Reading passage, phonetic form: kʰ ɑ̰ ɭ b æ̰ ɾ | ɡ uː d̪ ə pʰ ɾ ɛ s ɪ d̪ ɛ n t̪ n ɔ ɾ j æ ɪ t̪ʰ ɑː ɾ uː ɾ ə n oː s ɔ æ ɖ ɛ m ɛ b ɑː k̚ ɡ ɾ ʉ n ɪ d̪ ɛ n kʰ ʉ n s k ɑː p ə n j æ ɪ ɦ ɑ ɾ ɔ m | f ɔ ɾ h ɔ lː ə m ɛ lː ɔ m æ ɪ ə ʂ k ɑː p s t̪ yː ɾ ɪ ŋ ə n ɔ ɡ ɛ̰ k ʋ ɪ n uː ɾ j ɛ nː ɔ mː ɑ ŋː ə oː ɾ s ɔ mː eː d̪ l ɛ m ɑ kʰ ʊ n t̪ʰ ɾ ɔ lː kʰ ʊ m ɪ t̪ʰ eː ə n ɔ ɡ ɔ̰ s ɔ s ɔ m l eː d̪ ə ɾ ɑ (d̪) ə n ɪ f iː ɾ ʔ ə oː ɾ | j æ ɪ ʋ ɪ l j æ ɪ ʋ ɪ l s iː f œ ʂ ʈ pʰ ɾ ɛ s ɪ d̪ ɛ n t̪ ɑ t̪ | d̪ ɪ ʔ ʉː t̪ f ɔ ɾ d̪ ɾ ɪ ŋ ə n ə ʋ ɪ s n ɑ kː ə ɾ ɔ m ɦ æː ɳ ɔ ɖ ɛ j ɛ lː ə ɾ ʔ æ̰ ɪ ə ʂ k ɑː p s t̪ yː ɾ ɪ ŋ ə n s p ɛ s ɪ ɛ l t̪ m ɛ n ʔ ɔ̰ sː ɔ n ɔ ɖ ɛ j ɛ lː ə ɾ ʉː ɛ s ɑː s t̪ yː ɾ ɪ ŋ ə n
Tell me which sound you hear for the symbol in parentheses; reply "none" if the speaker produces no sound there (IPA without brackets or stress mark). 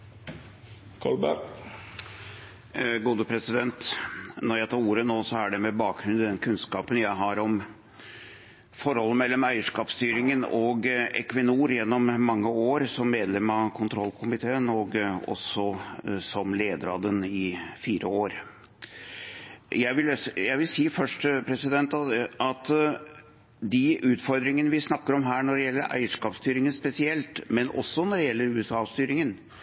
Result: d̪